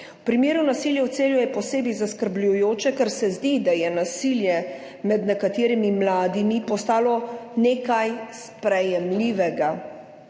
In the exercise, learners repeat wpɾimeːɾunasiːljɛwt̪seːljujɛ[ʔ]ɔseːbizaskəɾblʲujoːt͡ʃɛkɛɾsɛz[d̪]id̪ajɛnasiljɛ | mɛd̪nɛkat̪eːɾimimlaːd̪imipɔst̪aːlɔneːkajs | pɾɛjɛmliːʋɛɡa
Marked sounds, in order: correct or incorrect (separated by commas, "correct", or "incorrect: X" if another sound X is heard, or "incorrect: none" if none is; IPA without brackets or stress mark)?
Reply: incorrect: p, correct